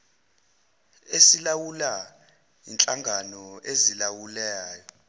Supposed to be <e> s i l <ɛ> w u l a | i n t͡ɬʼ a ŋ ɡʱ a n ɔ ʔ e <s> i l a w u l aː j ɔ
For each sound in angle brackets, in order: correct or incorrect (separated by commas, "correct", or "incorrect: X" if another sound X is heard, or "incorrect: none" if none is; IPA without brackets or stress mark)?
correct, incorrect: a, incorrect: z